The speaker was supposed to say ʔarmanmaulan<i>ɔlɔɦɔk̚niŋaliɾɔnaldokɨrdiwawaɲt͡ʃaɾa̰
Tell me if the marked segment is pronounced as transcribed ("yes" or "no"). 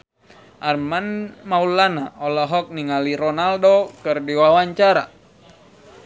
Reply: no